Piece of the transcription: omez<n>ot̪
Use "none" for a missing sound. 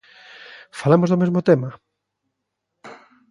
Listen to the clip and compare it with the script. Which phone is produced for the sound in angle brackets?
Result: m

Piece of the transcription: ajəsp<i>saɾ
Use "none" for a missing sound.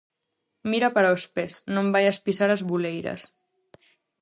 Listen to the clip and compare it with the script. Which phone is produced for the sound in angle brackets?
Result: i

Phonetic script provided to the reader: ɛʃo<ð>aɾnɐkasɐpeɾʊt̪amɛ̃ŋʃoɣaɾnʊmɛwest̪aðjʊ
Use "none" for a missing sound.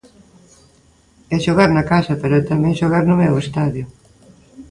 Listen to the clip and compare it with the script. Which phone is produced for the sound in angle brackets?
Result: ɣ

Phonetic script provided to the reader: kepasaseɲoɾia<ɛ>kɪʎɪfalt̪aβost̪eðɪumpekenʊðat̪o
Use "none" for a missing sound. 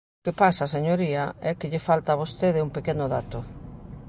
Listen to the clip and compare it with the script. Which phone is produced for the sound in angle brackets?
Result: ɛ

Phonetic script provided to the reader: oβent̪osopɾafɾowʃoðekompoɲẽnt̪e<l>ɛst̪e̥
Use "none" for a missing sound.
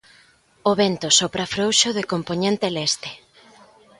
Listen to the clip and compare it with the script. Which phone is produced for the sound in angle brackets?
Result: l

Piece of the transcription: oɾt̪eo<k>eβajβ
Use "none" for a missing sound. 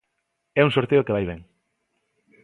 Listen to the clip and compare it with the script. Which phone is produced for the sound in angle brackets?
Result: k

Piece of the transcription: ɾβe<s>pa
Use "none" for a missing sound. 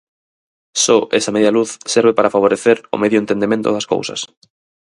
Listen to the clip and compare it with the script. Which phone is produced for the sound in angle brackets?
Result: none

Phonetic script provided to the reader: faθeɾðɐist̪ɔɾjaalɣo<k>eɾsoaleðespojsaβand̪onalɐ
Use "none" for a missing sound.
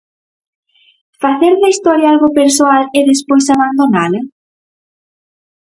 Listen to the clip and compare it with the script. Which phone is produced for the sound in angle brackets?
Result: p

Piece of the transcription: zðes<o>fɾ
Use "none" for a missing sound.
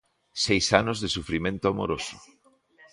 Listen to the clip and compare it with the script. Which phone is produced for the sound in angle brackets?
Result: u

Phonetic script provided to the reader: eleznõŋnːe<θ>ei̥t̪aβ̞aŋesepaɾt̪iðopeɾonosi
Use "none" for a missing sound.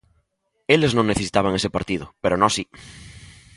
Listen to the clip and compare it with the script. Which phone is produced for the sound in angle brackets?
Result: θ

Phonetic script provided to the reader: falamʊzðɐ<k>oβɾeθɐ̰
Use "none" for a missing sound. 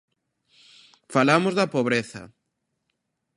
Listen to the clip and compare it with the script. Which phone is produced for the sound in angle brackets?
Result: p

